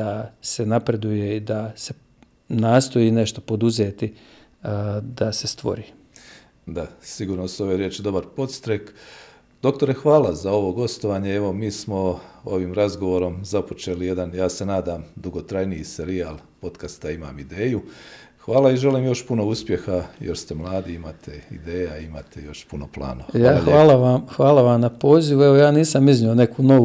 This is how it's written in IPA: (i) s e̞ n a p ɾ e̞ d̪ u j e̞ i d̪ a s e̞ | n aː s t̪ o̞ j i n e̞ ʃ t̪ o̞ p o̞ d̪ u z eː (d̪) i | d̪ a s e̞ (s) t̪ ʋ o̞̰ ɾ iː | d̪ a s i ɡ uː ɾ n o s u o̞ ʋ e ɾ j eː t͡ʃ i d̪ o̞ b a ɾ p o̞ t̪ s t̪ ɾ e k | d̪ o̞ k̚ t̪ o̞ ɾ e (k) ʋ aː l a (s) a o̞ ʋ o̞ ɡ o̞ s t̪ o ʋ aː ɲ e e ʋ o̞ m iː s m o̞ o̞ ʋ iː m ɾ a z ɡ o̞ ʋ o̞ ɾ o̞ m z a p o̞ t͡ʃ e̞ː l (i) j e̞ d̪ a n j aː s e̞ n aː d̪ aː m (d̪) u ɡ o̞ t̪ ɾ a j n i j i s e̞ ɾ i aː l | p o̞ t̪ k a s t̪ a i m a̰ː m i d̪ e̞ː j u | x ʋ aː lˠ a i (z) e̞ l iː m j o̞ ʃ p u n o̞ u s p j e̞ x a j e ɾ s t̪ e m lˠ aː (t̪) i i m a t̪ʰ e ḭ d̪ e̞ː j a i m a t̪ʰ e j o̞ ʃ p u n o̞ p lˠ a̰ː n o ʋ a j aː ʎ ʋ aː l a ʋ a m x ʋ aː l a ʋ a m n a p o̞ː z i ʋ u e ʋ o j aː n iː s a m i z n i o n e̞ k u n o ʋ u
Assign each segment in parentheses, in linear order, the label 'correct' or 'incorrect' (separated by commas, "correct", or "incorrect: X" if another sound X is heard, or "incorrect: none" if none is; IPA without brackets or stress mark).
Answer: incorrect: a, incorrect: t̪, correct, incorrect: x, incorrect: z, correct, correct, incorrect: ʒ, incorrect: d̪